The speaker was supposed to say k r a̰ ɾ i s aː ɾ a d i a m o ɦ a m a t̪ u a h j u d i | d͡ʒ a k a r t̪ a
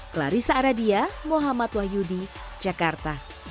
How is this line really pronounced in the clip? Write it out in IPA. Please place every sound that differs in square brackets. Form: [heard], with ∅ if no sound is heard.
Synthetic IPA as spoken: k [l] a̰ ɾ i s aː ɾ a d i a m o ɦ a m a t̪ [w] a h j u d i | d͡ʒ a k a r t̪ a